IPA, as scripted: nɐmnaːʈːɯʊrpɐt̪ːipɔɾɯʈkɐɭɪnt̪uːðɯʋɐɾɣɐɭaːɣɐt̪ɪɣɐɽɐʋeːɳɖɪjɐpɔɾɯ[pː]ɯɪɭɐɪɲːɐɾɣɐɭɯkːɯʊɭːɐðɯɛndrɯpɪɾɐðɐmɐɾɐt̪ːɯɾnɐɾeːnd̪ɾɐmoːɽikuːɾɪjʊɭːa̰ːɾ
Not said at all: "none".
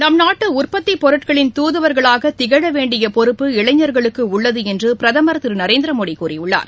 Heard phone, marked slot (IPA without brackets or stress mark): pː